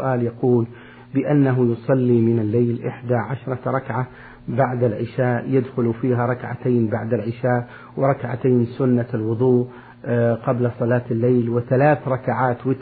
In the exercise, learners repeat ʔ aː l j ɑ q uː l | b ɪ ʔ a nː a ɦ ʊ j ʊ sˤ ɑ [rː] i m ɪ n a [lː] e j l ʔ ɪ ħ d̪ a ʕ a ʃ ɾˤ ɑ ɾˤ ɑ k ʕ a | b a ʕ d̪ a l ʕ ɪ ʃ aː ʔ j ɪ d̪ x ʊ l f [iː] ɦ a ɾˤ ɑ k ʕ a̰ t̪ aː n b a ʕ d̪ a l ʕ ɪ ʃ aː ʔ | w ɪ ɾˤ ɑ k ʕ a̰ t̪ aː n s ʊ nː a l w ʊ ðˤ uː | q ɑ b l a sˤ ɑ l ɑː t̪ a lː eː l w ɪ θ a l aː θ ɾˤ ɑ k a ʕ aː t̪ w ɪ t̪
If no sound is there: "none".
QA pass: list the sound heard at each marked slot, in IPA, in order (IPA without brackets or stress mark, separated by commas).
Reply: lː, lː, iː